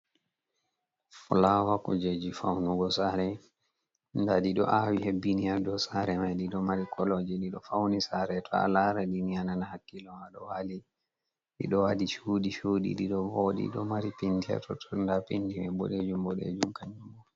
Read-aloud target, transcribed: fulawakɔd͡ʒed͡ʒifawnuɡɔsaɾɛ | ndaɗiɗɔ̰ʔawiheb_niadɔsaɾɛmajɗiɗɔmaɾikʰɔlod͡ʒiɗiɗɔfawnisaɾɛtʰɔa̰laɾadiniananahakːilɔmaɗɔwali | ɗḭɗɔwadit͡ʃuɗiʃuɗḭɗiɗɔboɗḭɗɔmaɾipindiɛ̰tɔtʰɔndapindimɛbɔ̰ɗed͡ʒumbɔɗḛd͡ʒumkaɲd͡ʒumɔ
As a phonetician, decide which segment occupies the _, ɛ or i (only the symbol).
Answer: i